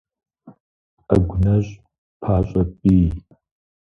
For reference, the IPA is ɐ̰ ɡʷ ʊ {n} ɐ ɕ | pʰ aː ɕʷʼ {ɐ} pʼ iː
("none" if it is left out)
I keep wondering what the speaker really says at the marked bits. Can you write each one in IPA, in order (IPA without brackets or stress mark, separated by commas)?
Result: n, ɐ